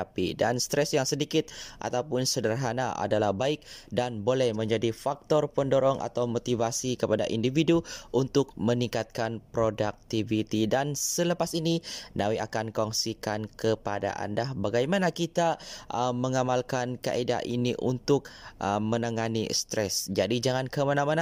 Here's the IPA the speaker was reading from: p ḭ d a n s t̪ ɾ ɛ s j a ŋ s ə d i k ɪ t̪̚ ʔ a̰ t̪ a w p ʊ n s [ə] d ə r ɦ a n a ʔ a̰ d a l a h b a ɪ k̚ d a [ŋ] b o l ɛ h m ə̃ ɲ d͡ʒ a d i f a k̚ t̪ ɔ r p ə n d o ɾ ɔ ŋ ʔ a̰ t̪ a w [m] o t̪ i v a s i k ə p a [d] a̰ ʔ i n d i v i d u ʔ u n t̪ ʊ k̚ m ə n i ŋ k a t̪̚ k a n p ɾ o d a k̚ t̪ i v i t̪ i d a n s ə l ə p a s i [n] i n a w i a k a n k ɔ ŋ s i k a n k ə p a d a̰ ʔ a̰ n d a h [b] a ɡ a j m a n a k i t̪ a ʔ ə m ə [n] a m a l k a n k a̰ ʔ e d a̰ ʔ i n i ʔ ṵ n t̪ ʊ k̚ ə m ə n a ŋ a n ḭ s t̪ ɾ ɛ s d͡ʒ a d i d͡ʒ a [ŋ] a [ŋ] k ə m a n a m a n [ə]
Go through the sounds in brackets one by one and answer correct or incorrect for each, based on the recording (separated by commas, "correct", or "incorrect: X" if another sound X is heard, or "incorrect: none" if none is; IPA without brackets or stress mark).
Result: correct, incorrect: n, correct, correct, correct, correct, incorrect: ŋ, correct, incorrect: n, incorrect: a